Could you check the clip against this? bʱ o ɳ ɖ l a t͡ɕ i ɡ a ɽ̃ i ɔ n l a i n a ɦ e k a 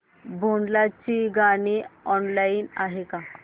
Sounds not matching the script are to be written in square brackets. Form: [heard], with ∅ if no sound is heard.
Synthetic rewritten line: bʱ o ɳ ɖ l a t͡ɕ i ɡ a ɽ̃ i ɔ n l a i n a ɦ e k a